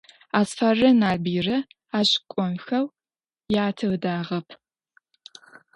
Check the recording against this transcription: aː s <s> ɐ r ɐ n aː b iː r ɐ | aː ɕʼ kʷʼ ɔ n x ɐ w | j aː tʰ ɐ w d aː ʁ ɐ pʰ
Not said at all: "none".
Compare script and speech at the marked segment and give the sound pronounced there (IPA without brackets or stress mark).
f